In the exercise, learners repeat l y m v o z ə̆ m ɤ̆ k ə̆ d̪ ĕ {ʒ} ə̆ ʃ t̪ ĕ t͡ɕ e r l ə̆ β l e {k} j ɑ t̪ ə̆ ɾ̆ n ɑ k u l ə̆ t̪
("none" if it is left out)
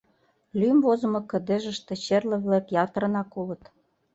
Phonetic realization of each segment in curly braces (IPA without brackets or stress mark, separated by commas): ʒ, k